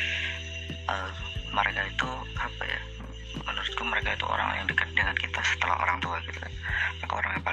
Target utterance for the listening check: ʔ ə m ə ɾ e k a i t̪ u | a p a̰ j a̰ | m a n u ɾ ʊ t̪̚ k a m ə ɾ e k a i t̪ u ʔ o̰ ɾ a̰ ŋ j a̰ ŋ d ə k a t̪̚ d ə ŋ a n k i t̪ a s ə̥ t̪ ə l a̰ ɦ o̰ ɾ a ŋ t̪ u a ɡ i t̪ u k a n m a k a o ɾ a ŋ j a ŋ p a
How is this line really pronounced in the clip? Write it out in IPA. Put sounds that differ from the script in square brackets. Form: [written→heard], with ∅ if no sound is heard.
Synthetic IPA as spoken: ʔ ə m ə ɾ e k a i t̪ u | a p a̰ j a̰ | m [a→ə] n u ɾ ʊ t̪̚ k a m ə ɾ e k a i t̪ u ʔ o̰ ɾ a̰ ŋ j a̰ ŋ d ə k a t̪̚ d ə ŋ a n k i t̪ a s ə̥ t̪ ə l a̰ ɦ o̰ ɾ a ŋ t̪ u a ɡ i t̪ u k a n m a k a o ɾ a ŋ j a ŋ p a